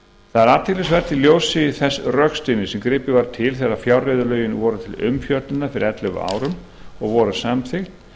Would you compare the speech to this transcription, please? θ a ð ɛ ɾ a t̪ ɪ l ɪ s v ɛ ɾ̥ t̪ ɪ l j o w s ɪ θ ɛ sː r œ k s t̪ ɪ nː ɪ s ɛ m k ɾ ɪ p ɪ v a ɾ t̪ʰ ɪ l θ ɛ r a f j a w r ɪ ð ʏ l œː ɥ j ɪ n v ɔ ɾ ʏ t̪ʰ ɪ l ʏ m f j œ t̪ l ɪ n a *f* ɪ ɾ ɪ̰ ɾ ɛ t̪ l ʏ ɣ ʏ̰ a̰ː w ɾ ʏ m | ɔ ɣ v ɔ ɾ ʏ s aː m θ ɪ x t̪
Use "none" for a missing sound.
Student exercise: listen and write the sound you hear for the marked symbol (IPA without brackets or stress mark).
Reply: f